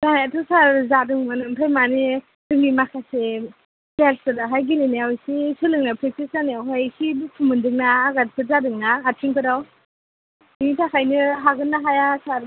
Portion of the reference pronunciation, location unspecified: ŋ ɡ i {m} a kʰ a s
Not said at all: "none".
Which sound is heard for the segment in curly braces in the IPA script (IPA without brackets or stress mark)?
m